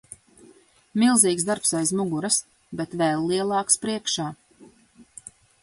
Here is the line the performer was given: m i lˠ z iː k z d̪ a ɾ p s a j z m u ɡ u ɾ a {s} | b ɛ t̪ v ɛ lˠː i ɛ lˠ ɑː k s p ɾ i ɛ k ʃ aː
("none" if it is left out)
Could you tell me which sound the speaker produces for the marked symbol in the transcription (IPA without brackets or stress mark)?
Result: s